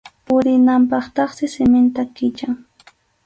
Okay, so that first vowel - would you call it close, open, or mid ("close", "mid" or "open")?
close